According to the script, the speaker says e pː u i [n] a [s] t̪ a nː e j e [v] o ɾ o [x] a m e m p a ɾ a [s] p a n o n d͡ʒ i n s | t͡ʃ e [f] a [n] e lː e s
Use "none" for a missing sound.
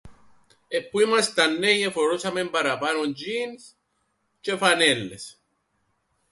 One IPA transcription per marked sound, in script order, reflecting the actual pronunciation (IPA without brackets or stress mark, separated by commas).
m, s, f, s, none, f, n